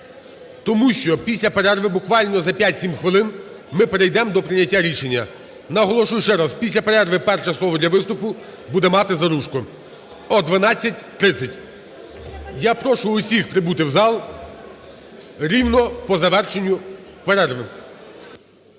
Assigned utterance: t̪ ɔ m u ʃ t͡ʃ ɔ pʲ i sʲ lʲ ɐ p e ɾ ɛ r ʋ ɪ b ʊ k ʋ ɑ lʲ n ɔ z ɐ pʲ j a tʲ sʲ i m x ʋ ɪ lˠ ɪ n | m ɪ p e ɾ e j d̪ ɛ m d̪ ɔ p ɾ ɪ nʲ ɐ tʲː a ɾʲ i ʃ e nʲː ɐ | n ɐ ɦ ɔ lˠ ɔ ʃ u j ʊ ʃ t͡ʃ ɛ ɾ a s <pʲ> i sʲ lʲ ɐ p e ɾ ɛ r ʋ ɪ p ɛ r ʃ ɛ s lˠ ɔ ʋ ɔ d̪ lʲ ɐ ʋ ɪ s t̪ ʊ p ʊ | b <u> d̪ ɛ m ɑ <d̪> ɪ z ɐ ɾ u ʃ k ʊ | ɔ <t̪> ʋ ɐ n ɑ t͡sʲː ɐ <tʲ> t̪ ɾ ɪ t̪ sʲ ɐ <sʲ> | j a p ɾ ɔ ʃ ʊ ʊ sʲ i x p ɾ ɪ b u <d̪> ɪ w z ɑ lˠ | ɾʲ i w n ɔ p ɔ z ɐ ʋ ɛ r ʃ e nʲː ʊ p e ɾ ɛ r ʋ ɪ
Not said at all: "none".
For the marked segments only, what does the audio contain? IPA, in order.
pʲ, u, t̪, d̪, tʲ, tʲ, t̪

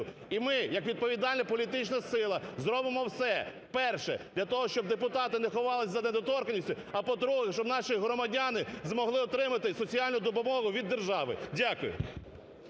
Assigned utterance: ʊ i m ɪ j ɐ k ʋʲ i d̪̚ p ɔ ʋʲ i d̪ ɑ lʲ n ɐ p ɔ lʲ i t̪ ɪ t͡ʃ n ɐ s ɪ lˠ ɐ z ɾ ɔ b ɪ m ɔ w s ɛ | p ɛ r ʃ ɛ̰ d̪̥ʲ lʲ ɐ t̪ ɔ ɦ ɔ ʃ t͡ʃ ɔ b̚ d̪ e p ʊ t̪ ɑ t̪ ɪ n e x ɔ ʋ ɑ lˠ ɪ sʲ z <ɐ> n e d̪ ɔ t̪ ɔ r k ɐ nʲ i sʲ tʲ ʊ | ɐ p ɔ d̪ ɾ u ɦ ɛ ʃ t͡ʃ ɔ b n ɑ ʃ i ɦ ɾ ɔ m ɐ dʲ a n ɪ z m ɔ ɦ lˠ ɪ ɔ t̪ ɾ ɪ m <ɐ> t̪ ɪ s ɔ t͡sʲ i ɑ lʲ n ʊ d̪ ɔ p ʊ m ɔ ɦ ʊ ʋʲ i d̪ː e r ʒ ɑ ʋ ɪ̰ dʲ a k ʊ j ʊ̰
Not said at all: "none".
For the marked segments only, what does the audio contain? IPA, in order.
ɐ, ɐ

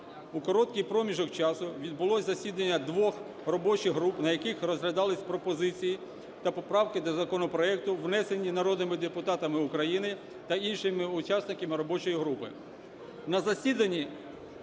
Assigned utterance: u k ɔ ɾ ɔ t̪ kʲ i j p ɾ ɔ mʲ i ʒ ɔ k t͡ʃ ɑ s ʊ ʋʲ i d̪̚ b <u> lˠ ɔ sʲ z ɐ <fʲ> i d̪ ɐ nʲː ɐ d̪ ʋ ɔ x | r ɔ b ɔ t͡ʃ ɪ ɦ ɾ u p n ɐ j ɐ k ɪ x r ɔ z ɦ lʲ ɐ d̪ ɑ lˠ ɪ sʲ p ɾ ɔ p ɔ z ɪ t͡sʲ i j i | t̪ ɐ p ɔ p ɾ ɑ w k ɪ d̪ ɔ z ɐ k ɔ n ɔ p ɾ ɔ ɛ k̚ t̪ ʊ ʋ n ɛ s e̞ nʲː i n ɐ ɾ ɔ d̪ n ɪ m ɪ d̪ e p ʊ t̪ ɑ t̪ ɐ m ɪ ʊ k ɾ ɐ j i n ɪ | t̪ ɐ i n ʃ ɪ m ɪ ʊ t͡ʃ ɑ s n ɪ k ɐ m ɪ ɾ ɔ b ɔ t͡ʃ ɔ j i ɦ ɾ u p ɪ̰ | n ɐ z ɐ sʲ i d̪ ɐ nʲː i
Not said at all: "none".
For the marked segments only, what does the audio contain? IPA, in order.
ʊ, sʲ

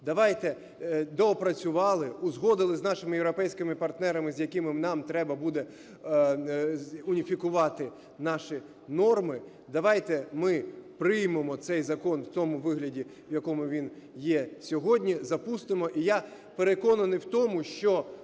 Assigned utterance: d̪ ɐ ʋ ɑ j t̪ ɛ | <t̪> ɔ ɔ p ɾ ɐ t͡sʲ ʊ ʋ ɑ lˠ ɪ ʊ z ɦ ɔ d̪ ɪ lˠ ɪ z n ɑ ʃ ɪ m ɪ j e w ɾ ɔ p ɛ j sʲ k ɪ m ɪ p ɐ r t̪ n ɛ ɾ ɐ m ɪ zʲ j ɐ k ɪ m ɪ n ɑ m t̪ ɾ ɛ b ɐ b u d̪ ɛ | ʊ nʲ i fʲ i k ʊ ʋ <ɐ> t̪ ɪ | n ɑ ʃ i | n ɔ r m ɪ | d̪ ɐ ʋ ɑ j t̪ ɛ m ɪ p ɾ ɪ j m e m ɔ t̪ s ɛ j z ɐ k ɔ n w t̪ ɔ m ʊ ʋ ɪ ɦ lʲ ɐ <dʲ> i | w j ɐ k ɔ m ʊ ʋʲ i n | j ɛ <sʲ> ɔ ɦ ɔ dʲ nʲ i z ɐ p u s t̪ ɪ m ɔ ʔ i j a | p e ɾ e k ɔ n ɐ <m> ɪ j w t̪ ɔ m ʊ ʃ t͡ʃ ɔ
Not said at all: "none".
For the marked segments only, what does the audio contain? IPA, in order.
d̪, ɑ, dʲ, sʲ, n

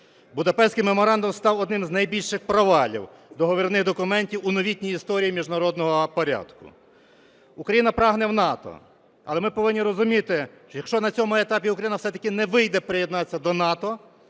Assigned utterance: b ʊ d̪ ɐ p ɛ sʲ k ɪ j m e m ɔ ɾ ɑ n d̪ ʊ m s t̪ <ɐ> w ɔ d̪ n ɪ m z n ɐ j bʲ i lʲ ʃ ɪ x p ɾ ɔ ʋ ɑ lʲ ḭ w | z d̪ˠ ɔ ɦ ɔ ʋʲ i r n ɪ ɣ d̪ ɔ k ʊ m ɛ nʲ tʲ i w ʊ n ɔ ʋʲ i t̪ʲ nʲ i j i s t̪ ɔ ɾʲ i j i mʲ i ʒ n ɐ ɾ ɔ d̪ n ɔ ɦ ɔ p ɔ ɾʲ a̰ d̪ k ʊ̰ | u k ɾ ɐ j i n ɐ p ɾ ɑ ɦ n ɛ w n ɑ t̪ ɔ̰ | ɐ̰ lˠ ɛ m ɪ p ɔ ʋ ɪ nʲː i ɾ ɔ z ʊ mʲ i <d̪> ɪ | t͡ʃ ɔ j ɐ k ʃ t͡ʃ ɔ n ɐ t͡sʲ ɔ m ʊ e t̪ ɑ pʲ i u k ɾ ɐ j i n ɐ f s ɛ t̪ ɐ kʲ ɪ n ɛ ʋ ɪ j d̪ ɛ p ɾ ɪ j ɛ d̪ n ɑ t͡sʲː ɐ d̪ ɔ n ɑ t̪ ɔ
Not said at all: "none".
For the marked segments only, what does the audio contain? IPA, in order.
ɑ, t̪

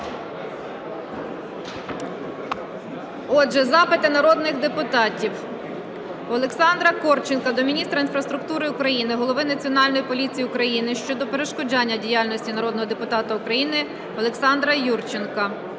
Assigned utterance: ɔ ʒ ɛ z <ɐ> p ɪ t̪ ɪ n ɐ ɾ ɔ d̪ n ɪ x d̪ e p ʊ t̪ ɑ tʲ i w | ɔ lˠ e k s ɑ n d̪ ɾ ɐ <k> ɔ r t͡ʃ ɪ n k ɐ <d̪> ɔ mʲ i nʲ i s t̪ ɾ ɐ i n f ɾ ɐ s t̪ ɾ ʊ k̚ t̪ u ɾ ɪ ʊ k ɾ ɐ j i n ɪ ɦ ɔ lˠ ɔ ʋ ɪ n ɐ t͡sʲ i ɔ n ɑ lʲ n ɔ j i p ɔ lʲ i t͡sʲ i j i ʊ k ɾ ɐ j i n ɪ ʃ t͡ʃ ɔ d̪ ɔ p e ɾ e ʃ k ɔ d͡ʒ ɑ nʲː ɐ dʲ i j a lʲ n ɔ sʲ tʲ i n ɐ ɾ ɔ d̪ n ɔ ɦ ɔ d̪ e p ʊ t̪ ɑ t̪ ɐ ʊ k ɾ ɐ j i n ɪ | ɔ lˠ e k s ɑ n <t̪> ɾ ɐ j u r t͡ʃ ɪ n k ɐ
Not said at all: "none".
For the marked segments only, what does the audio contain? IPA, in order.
ɑ, k, d̪, d̪

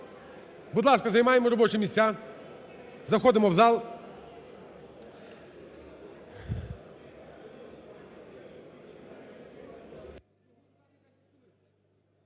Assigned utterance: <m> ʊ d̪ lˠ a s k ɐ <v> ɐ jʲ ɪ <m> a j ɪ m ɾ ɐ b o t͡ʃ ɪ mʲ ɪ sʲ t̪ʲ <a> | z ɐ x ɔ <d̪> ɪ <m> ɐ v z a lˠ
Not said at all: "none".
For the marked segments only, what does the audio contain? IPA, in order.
b, z, m, a, d̪, m

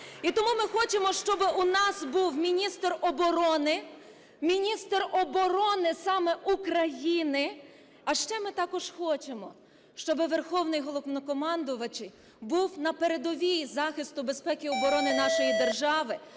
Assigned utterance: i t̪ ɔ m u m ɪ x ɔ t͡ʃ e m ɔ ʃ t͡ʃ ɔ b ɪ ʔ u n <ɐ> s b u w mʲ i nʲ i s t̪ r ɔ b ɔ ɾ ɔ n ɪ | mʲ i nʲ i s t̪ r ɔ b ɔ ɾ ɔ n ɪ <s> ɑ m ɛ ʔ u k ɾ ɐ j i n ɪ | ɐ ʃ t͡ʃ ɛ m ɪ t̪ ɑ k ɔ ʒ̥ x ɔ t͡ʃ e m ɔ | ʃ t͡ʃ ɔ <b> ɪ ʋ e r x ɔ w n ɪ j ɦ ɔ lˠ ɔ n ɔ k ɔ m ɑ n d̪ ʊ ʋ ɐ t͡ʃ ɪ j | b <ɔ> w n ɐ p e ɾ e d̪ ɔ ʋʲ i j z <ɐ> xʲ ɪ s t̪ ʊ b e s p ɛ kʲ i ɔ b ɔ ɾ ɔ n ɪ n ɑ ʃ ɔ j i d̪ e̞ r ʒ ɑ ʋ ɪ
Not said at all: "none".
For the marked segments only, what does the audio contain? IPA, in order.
ɑ, s, b, u, ɑ

